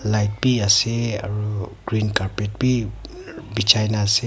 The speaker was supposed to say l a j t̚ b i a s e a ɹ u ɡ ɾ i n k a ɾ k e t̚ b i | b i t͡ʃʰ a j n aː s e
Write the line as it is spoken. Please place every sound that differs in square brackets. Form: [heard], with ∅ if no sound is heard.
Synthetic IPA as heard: l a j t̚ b i a s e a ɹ u ɡ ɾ i n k a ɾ [p] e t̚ b i | b i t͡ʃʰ a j n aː s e